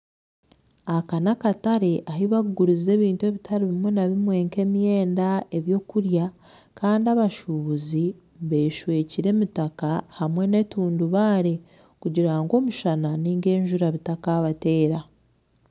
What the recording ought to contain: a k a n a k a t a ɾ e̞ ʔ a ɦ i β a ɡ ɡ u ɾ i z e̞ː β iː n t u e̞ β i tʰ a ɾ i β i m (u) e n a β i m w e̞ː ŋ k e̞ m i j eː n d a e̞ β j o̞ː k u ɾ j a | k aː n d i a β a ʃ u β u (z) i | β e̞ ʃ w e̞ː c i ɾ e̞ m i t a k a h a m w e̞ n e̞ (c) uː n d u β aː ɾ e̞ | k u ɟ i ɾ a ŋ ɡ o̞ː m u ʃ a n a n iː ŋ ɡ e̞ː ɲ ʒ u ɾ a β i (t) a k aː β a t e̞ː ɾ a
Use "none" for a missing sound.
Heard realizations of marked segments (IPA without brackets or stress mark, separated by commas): w, z, t, t